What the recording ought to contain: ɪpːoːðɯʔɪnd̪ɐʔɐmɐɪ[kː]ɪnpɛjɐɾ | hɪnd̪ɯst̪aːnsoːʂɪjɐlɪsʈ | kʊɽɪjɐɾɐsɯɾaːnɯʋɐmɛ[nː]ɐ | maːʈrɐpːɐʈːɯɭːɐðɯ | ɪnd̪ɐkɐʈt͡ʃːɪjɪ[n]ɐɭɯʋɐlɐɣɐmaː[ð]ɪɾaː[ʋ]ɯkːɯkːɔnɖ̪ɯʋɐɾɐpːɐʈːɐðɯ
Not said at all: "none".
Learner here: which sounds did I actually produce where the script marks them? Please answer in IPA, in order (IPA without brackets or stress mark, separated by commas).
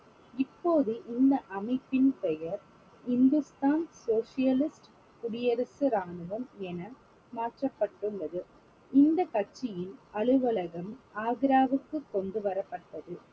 pː, n, n, ɣ, ʋ